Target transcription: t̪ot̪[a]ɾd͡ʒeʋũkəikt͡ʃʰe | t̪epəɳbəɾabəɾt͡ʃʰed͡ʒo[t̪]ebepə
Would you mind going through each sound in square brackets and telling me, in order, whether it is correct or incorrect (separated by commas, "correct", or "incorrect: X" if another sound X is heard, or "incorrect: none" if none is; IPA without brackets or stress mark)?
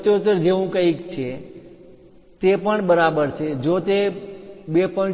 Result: incorrect: ə, correct